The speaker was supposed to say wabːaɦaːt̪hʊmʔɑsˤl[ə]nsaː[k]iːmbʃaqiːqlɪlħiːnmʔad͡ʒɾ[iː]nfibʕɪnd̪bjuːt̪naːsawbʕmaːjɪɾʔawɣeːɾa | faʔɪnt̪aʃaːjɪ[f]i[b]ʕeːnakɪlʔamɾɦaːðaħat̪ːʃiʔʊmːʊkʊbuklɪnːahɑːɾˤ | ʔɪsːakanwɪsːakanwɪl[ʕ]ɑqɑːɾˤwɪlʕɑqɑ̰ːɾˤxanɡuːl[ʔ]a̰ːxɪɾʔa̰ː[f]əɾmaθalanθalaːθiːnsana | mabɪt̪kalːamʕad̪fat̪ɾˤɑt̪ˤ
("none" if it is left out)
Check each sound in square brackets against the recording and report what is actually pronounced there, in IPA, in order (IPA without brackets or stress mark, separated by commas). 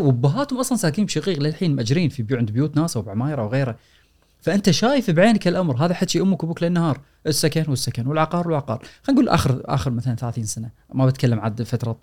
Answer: ɑ, k, iː, f, b, ʕ, ʔ, x